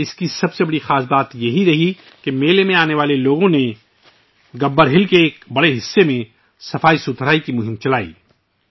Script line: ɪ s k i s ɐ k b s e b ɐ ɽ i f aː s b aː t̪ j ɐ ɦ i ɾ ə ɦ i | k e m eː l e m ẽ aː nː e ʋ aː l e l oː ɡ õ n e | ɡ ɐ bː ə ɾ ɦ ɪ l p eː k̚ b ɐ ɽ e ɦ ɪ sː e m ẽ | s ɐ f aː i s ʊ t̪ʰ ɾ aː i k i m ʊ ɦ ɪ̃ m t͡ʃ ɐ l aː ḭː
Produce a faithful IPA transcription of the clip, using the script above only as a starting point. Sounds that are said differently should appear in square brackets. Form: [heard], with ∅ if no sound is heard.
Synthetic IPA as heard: ɪ s k i s ɐ [∅] b s e b ɐ ɽ i [x] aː s b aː t̪ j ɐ ɦ i ɾ [ɐ] ɦ i | k e m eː l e m ẽ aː [n] e ʋ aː l e l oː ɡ õ n e | ɡ ɐ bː ə ɾ ɦ ɪ l [k] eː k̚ b ɐ ɽ e ɦ ɪ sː e m ẽ | s ɐ f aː i s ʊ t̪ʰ ɾ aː i k i m ʊ ɦ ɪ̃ m t͡ʃ ɐ l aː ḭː